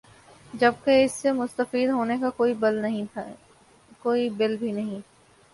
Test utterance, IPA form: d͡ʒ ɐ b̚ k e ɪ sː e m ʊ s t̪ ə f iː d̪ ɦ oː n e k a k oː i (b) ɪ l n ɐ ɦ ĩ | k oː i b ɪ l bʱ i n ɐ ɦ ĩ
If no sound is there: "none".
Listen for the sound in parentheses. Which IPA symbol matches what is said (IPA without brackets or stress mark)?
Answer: b